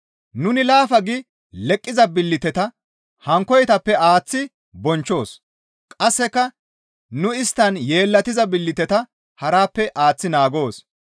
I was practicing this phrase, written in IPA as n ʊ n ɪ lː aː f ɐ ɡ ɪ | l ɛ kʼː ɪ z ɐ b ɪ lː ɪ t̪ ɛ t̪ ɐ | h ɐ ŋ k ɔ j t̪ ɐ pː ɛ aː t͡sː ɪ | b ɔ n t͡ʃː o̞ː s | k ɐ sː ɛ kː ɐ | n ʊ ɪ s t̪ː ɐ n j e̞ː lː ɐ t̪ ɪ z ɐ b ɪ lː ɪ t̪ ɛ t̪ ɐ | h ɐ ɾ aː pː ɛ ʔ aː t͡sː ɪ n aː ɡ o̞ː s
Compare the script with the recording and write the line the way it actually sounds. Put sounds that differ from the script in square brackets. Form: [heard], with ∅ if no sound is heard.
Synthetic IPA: n ʊ n ɪ [l] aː f ɐ ɡ ɪ | l ɛ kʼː ɪ z ɐ b ɪ lː ɪ t̪ ɛ t̪ ɐ | h ɐ ŋ k ɔ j t̪ ɐ pː ɛ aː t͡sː ɪ | b ɔ n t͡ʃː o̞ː s | [kʼ] ɐ sː ɛ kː ɐ | n ʊ ɪ s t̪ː ɐ n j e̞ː lː ɐ t̪ ɪ z ɐ b ɪ lː ɪ t̪ ɛ t̪ ɐ | h ɐ ɾ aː pː ɛ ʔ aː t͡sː ɪ n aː ɡ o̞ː s